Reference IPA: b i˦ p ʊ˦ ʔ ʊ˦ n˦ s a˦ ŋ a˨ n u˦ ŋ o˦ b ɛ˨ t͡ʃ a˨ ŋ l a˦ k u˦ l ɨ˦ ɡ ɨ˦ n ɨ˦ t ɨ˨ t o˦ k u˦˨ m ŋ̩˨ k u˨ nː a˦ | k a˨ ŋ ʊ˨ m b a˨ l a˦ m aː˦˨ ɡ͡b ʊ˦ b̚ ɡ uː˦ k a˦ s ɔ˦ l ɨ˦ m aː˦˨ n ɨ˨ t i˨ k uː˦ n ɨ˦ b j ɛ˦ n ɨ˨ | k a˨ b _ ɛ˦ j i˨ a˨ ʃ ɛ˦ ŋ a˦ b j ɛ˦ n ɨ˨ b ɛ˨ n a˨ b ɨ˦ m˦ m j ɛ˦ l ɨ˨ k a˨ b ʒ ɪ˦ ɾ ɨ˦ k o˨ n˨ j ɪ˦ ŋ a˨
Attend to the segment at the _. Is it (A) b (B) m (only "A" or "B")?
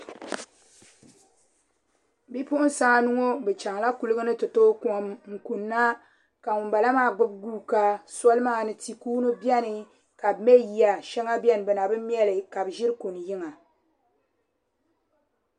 B